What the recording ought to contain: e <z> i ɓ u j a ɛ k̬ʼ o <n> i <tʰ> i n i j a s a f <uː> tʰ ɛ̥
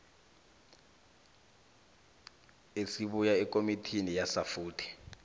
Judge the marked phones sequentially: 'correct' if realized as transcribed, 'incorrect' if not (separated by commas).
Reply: incorrect, incorrect, correct, correct